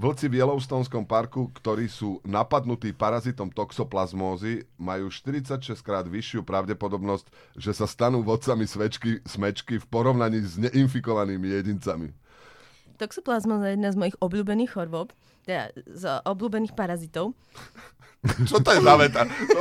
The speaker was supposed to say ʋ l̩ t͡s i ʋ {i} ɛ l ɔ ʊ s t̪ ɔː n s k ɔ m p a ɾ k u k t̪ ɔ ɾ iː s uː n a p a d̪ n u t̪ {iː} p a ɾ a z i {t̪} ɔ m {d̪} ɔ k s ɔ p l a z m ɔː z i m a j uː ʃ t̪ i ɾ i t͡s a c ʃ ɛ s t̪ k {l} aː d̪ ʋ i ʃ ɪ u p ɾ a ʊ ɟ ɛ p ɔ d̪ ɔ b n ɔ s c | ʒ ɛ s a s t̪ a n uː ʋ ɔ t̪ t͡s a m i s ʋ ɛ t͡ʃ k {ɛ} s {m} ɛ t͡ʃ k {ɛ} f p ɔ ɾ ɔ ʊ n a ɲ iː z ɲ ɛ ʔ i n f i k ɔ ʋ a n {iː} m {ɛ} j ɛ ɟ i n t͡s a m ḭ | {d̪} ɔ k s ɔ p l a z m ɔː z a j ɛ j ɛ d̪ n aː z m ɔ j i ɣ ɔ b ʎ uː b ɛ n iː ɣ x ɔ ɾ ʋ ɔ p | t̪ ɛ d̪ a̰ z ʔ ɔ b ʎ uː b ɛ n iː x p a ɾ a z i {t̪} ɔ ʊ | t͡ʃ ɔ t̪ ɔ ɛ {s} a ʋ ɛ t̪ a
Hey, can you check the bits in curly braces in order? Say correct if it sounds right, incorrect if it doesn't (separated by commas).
incorrect, correct, correct, incorrect, incorrect, incorrect, correct, incorrect, correct, incorrect, incorrect, correct, incorrect